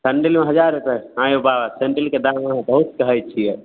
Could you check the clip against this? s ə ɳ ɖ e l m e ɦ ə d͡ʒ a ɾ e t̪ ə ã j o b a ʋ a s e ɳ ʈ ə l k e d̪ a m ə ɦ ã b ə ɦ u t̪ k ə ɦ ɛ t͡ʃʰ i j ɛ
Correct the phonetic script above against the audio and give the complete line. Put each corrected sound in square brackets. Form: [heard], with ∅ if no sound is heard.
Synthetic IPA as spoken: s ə ɳ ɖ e l m e ɦ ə d͡ʒ a ɾ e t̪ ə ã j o b a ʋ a s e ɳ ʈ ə l k e d̪ a m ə ɦ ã b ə ɦ u t̪ k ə ɦ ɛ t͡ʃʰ i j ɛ